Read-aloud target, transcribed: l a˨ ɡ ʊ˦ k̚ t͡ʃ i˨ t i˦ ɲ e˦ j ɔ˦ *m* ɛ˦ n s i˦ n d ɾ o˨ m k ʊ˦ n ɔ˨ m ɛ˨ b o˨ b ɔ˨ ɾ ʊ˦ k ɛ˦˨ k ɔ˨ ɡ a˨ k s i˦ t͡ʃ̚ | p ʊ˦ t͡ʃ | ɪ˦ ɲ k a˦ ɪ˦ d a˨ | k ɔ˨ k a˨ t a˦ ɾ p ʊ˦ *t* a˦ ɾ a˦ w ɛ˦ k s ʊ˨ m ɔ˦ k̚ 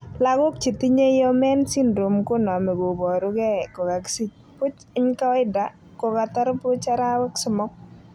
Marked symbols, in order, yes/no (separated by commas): yes, no